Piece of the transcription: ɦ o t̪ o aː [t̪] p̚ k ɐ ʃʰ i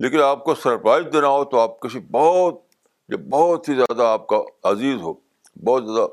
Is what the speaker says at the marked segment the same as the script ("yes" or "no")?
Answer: no